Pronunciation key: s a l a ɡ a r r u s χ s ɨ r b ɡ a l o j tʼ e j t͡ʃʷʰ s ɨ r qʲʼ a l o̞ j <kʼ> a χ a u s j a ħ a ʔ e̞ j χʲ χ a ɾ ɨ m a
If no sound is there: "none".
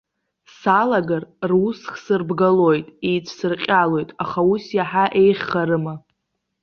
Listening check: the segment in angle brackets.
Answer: tʼ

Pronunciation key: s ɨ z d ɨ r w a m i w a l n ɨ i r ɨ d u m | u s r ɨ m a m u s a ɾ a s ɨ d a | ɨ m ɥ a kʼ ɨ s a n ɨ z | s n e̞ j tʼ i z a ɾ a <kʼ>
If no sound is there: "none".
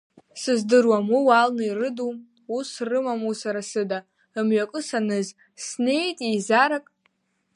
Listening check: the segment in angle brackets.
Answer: kʼ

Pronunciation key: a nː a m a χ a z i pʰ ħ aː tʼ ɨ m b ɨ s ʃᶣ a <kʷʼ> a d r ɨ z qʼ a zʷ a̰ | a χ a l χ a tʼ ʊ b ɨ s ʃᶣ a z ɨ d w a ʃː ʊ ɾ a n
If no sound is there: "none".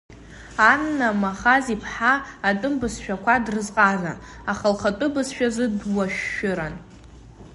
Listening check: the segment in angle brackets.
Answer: kʷ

